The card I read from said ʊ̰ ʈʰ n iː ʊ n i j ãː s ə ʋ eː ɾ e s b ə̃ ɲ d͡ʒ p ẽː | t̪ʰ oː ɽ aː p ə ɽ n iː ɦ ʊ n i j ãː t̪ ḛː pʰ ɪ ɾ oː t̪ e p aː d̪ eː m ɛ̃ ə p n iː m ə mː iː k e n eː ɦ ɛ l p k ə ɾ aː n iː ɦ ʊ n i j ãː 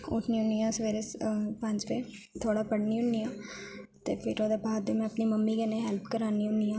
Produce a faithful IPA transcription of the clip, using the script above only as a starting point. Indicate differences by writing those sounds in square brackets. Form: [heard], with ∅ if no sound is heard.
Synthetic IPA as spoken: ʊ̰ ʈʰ n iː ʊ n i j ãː s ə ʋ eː ɾ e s [p] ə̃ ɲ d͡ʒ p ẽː | t̪ʰ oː ɽ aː p ə ɽ n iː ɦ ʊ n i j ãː t̪ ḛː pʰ ɪ ɾ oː [d̪] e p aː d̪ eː m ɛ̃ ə p n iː m ə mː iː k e n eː ɦ ɛ l p k ə ɾ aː n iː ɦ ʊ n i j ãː